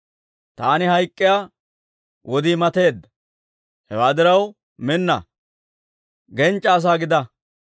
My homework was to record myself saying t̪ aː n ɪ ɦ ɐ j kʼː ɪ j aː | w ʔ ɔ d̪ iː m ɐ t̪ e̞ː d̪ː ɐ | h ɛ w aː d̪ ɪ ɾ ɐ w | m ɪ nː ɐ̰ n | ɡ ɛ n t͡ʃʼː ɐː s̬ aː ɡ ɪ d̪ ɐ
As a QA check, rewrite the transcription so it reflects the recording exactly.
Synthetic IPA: t̪ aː n ɪ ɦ ɐ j kʼː ɪ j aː | w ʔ ɔ d̪ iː m ɐ t̪ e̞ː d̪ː ɐ | h ɛ w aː d̪ ɪ ɾ ɐ w | m ɪ nː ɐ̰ | ɡ ɛ n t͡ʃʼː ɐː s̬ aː ɡ ɪ d̪ ɐ